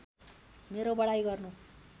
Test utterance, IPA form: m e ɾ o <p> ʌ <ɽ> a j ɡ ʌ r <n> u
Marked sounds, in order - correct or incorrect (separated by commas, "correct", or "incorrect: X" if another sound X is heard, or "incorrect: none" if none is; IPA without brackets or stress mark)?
incorrect: b, correct, correct